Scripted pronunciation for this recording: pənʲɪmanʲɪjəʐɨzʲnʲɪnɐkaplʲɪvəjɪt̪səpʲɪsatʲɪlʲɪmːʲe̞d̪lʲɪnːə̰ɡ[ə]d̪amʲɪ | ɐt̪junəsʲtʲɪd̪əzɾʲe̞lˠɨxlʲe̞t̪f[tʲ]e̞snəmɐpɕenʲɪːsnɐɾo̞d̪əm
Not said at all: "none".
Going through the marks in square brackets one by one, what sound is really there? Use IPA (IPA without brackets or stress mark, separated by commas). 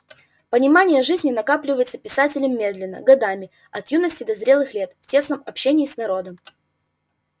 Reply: ɐ, tʲ